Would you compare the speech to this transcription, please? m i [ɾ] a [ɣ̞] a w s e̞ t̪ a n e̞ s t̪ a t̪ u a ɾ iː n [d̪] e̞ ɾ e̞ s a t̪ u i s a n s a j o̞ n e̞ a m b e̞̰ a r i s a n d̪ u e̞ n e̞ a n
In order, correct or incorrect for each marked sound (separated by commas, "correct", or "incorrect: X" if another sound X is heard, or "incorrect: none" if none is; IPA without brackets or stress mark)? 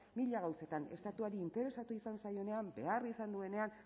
incorrect: ʎ, correct, incorrect: t̪